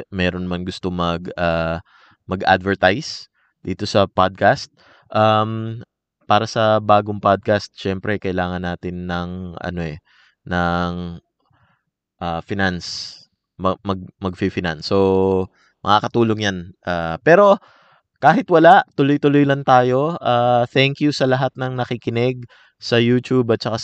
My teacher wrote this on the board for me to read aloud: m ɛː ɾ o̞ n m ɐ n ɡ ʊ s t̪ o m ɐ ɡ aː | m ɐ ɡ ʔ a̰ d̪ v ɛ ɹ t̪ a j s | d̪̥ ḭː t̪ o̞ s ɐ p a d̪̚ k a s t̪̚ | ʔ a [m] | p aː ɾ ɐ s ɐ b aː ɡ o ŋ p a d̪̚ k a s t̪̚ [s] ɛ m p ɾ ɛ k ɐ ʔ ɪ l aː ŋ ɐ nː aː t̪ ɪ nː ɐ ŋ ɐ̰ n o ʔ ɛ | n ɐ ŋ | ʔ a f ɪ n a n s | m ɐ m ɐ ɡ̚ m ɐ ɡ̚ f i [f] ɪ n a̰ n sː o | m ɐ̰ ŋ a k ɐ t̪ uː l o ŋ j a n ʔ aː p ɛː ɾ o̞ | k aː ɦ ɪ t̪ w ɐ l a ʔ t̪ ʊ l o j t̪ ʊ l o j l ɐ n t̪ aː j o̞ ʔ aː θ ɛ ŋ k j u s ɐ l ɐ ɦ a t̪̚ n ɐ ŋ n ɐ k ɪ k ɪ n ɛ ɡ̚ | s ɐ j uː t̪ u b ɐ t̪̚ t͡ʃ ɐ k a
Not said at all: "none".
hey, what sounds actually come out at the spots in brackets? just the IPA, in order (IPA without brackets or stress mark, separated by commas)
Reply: m, ʃ, f